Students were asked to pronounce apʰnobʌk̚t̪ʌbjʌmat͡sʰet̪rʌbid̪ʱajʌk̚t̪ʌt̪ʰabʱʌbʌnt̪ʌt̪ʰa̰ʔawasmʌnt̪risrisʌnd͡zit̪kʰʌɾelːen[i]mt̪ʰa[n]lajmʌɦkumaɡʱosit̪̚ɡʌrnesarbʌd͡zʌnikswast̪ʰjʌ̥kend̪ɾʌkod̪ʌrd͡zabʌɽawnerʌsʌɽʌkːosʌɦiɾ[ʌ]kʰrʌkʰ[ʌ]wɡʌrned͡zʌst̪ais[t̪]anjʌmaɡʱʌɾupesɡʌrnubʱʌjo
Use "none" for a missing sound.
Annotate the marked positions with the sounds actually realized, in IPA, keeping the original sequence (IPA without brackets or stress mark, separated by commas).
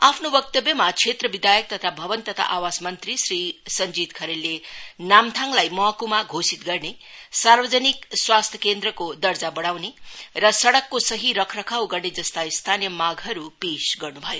a, ŋ, ʌ, a, t̪ʰ